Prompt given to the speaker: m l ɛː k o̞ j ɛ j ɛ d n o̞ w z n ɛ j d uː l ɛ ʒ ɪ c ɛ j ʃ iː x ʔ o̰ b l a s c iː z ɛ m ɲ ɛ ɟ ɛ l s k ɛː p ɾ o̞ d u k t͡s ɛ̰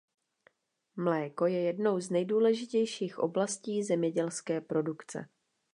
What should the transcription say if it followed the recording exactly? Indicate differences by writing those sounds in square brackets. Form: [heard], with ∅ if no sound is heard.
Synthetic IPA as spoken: m l ɛː k o̞ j ɛ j ɛ d n o̞ w z n ɛ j d uː l ɛ ʒ ɪ c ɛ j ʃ iː x ʔ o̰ b l a s c iː z ɛ m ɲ ɛ ɟ ɛ l s k ɛː p ɾ o̞ d u k t͡s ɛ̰